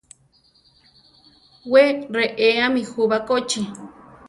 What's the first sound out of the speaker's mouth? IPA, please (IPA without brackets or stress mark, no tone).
w